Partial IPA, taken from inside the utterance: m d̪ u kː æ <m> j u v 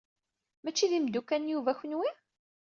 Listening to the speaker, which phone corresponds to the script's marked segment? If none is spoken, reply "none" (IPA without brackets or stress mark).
n